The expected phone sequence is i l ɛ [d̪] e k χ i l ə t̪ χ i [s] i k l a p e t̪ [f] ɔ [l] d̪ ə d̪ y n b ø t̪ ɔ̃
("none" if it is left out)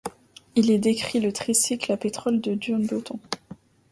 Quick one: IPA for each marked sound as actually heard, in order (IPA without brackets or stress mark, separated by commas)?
d̪, s, χ, l